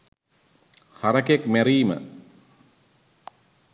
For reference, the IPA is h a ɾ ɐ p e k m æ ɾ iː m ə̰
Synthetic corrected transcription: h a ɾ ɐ k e k m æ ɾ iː m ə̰